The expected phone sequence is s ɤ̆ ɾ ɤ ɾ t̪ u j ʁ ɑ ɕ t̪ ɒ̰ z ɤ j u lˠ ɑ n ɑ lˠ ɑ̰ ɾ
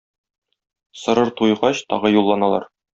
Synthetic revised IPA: s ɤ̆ ɾ ɤ ɾ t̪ u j ʁ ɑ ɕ t̪ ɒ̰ ʁ ɤ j u lˠː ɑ n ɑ lˠ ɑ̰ ɾ